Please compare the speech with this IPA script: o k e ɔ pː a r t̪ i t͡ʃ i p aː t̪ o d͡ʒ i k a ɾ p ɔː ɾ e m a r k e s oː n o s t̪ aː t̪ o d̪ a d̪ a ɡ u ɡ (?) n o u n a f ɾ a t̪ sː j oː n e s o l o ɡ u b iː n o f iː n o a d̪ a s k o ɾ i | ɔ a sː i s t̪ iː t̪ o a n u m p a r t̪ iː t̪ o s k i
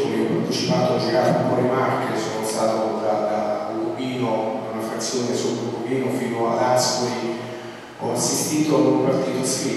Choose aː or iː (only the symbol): iː